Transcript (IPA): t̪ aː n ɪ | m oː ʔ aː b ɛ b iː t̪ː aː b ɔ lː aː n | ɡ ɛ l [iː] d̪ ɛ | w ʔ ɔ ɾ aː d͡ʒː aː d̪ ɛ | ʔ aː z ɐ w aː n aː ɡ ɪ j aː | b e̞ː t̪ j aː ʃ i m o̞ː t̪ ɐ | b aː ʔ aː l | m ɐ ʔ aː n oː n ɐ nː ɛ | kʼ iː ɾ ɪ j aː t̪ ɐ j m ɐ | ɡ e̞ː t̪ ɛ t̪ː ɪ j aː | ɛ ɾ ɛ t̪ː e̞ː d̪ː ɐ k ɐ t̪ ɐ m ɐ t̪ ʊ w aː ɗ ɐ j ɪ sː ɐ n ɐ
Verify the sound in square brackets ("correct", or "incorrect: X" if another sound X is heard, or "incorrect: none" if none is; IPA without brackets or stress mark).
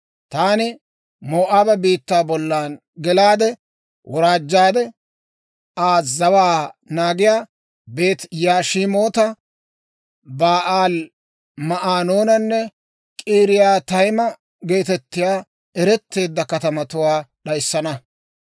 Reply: incorrect: aː